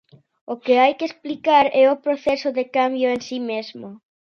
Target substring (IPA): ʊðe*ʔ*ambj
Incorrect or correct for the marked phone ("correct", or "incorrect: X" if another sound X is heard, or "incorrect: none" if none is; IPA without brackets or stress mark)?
incorrect: k